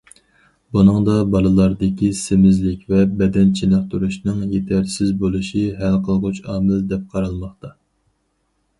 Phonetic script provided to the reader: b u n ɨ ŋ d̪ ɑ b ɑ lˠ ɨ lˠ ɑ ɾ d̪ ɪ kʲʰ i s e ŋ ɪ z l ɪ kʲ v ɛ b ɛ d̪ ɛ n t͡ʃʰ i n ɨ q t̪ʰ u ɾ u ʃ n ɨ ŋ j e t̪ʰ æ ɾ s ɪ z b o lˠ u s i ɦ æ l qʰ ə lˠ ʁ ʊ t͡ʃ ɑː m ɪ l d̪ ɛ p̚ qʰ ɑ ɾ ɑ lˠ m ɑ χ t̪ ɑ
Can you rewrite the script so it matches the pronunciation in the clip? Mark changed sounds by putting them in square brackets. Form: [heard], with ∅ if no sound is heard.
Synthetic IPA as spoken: b u n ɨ ŋ d̪ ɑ b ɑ lˠ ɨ lˠ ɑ ɾ d̪ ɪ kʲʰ i s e [m] ɪ z l ɪ kʲ v ɛ b ɛ d̪ ɛ n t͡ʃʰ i n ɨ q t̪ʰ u ɾ u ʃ n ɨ ŋ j e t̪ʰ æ ɾ s ɪ z b o lˠ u [ʃ] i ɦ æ l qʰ ə lˠ ʁ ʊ t͡ʃ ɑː m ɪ l d̪ ɛ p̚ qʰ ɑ ɾ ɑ lˠ m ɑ χ t̪ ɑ

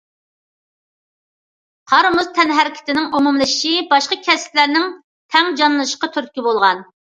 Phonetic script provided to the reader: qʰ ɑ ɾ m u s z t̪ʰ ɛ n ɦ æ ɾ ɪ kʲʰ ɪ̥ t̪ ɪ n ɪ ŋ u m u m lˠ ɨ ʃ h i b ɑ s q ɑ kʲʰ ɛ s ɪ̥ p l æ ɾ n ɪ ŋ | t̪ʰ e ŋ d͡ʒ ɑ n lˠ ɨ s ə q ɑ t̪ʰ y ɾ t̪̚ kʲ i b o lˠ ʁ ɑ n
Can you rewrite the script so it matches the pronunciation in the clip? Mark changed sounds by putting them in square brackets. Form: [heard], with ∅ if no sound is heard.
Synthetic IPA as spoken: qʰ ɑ ɾ m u [∅] z t̪ʰ ɛ n ɦ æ ɾ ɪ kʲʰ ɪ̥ t̪ ɪ n ɪ ŋ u m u m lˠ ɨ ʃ [ʃ] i b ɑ [ʃ] q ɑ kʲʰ ɛ s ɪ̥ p l æ ɾ n ɪ ŋ | t̪ʰ [ɛ] ŋ d͡ʒ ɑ n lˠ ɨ [ʃ] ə q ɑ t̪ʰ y ɾ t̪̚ kʲ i b o lˠ ʁ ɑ n

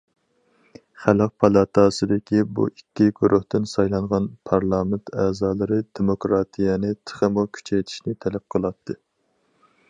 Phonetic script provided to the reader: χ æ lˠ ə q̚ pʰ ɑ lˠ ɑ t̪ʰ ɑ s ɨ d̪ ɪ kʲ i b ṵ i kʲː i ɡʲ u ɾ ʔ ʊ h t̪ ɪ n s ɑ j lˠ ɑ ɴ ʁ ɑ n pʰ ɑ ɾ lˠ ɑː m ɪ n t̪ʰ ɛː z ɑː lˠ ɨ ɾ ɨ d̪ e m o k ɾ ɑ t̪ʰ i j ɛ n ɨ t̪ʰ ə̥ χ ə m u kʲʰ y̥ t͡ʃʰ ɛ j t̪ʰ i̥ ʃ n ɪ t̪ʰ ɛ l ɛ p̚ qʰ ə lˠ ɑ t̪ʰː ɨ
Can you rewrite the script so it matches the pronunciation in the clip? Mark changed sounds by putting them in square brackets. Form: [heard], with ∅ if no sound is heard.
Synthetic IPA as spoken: χ æ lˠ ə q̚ pʰ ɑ lˠ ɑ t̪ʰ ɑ s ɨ d̪ ɪ kʲ i b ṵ i kʲː i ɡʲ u ɾ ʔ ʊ h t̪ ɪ n s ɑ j lˠ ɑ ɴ ʁ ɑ n pʰ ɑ ɾ lˠ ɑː m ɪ n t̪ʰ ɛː z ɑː lˠ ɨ ɾ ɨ d̪ e m o k ɾ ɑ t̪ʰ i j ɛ n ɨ t̪ʰ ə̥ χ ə m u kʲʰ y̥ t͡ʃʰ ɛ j t̪ʰ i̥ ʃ n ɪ t̪ʰ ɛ l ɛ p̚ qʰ ə lˠ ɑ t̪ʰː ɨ

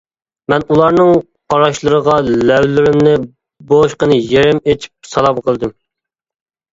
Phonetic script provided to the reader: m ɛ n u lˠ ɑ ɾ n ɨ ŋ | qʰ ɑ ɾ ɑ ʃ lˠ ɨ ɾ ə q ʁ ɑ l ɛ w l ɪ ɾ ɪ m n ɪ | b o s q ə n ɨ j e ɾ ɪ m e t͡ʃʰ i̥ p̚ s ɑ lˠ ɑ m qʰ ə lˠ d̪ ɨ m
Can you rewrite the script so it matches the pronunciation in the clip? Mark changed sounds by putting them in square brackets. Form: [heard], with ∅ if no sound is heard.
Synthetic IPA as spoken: m ɛ n u lˠ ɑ ɾ n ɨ ŋ | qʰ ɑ ɾ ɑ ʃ lˠ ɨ ɾ ə [∅] ʁ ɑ l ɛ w l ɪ ɾ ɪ m n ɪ | b o [ʃ] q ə n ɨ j e ɾ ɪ m e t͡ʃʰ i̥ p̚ s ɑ lˠ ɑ m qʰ ə lˠ d̪ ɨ m

